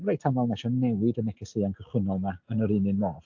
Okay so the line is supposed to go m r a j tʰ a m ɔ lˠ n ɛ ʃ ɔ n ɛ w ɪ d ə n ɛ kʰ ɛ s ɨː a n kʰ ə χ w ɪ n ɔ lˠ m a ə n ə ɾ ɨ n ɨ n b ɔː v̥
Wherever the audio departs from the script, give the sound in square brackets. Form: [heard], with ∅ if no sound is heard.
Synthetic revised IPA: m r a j tʰ a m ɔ lˠ n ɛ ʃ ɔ n ɛ w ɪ d ə n ɛ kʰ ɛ s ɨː a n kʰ ə χ w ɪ n ɔ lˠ m a ə n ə ɾ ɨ n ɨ n [m] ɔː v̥